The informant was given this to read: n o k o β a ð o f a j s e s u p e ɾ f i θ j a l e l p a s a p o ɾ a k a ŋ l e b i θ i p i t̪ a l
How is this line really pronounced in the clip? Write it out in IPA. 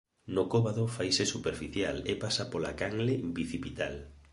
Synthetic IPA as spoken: n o k o β a ð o f a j s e s u p e ɾ f i θ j a l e p a s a p o l a k a ŋ l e b i θ i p i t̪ a l